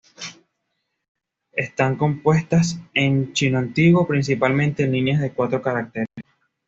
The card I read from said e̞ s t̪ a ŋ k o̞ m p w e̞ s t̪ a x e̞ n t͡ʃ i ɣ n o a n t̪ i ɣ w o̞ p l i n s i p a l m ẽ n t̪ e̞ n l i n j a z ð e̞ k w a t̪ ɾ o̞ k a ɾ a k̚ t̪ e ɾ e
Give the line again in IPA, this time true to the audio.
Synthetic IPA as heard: e̞ s t̪ a ŋ k o̞ m p w e̞ s t̪ a s e̞ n t͡ʃ i n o a n t̪ i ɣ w o̞ p ɾ i n s i p a l m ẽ n t̪ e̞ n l i n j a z ð e̞ k w a t̪ ɾ o̞ k a ɾ a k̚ t̪ e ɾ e